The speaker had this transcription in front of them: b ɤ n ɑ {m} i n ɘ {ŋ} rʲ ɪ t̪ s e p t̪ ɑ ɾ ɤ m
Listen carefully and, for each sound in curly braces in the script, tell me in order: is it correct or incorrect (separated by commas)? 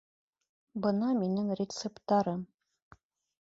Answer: correct, correct